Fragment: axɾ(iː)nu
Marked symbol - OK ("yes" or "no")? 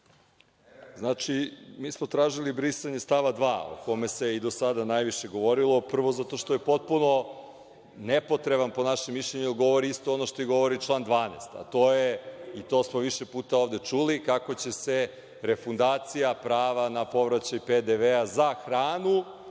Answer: no